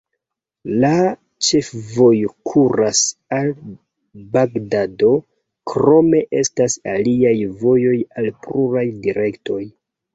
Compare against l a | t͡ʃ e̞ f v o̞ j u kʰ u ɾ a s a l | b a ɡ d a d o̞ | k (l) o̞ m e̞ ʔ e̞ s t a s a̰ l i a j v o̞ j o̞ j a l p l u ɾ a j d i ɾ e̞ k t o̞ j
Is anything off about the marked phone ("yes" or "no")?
yes